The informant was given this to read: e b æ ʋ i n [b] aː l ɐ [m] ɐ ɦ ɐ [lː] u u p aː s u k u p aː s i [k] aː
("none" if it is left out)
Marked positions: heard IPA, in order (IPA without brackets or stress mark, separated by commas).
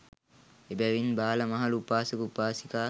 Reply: b, m, l, k